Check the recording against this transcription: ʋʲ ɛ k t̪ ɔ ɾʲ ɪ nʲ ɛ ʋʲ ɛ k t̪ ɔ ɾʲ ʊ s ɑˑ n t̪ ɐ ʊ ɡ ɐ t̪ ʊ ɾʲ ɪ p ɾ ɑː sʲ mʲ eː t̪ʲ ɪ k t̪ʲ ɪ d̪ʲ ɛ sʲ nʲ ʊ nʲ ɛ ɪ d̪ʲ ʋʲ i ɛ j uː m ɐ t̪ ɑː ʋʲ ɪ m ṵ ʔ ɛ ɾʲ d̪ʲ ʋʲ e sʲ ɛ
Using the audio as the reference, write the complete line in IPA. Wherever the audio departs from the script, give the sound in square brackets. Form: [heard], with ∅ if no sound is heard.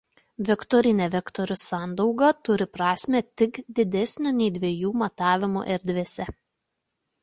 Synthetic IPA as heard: ʋʲ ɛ k t̪ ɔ ɾʲ ɪ nʲ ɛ ʋʲ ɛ k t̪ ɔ ɾʲ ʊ s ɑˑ n [d̪] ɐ ʊ ɡ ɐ t̪ ʊ ɾʲ ɪ p ɾ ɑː sʲ mʲ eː t̪ʲ ɪ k [d̪ʲ] ɪ d̪ʲ ɛ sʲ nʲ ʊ nʲ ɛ ɪ d̪ʲ ʋʲ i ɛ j uː m ɐ t̪ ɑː ʋʲ ɪ m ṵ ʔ ɛ ɾʲ d̪ʲ ʋʲ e sʲ ɛ

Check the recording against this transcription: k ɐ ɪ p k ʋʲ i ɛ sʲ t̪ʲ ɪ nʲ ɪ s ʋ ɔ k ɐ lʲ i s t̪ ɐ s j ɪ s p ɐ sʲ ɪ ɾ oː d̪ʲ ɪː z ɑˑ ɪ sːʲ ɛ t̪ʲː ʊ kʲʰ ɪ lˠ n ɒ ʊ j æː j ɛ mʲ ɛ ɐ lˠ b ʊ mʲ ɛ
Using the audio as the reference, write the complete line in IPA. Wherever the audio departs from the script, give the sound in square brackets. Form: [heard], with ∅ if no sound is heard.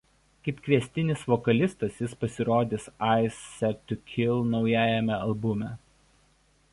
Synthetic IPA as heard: k ɐ ɪ p k ʋʲ i ɛ sʲ t̪ʲ ɪ nʲ ɪ s ʋ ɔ k ɐ lʲ [ɪ] s t̪ ɐ s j ɪ s p ɐ sʲ ɪ ɾ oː d̪ʲ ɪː [s] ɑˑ ɪ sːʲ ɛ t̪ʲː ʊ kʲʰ ɪ lˠ n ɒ ʊ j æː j ɛ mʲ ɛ ɐ lˠ b ʊ mʲ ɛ

